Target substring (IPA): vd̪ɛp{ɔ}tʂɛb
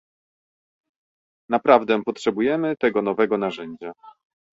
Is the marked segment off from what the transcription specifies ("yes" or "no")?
no